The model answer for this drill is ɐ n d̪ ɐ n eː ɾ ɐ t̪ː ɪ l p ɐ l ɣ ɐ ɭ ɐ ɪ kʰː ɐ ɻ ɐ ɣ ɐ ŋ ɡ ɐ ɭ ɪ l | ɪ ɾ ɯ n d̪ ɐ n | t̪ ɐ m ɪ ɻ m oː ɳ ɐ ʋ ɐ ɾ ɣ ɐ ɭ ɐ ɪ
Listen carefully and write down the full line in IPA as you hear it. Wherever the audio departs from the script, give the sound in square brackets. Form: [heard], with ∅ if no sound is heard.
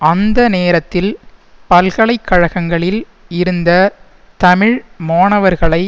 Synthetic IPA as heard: ɐ n d̪ ɐ n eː ɾ ɐ t̪ː ɪ l p ɐ l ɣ ɐ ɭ ɐ ɪ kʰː ɐ ɻ ɐ ɣ ɐ ŋ ɡ ɐ ɭ ɪ l | ɪ ɾ ɯ n d̪ ɐ [∅] | t̪ ɐ m ɪ ɻ m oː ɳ ɐ ʋ ɐ ɾ ɣ ɐ ɭ ɐ ɪ